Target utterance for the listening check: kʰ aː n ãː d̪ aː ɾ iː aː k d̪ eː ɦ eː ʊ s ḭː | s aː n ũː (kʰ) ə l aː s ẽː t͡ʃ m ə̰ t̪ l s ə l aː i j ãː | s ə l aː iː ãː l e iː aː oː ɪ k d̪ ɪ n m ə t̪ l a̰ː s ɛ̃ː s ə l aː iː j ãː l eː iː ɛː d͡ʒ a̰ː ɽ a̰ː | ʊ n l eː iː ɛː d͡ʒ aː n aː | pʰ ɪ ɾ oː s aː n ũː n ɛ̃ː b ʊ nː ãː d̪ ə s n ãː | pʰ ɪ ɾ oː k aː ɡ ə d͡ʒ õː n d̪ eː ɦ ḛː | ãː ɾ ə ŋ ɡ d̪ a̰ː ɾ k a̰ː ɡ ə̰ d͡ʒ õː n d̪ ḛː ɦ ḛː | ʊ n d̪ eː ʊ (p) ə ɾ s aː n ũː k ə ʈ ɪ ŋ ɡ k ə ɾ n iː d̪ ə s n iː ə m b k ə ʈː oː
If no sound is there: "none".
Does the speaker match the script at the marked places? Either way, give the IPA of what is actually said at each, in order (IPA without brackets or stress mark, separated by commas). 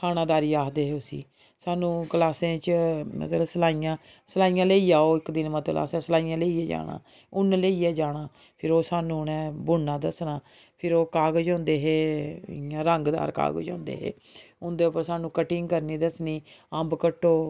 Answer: k, p